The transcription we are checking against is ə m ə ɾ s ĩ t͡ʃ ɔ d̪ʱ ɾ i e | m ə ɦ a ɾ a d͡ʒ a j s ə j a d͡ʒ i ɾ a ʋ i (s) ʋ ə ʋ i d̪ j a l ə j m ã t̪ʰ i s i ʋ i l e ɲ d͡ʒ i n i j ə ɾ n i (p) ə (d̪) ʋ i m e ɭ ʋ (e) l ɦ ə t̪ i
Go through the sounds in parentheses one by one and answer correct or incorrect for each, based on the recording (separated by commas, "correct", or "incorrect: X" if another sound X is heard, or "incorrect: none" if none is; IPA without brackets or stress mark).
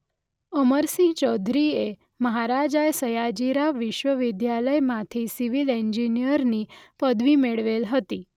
incorrect: ʃ, correct, correct, correct